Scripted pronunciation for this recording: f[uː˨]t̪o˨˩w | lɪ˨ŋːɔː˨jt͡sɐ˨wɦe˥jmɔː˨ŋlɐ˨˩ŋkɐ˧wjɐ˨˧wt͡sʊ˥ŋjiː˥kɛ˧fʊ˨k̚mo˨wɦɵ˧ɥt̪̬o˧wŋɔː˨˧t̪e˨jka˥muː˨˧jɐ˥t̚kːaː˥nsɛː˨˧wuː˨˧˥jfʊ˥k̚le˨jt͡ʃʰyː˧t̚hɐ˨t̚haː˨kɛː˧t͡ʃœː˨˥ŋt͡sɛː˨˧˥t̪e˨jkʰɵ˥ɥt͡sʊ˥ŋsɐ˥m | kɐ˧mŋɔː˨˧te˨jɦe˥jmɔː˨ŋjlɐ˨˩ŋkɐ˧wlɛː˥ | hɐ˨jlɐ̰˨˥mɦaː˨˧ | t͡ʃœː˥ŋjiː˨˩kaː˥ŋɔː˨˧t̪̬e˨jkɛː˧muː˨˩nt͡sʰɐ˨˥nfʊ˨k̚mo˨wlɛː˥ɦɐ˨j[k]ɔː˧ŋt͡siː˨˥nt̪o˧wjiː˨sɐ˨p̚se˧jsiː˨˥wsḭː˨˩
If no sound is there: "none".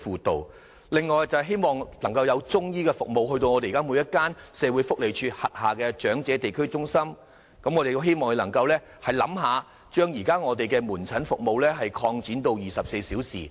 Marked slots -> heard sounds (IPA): uː˨, kʰ

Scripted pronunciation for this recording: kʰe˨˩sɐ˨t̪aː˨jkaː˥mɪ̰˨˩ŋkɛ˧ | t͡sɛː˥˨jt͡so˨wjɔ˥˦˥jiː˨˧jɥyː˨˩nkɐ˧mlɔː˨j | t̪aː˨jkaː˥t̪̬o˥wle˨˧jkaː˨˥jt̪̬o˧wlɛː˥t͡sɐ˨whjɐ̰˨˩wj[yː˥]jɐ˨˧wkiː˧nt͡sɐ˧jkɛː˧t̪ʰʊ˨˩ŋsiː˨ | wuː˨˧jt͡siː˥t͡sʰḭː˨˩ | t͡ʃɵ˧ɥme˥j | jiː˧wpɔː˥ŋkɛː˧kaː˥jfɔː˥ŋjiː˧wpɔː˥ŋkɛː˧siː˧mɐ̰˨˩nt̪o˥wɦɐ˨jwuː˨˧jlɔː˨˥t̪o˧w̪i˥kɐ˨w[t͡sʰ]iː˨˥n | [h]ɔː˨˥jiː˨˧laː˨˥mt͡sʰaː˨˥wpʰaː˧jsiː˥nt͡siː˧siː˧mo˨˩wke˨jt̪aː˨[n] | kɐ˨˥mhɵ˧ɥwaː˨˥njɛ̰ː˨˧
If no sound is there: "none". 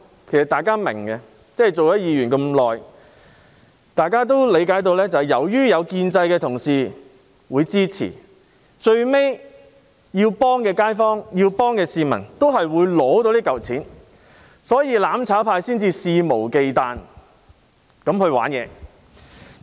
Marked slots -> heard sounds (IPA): yː˥, t͡sʰ, s, n

